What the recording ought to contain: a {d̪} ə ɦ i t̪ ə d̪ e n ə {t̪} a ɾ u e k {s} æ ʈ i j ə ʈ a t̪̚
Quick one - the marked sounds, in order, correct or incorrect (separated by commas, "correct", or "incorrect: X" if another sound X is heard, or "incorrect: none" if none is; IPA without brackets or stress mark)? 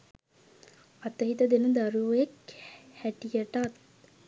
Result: incorrect: t̪, incorrect: d̪, incorrect: h